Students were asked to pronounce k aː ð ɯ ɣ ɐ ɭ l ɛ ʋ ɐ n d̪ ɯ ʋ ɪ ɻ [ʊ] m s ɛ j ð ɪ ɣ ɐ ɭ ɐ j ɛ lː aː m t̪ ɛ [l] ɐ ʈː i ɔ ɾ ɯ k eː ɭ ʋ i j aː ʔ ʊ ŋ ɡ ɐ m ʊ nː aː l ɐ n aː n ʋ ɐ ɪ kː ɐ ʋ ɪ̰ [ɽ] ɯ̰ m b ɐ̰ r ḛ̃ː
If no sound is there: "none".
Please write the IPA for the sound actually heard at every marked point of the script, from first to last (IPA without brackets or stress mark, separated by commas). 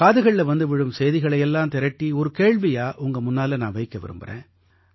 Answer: ɯ, ɾ, ɾ